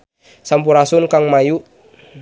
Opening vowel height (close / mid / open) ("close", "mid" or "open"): open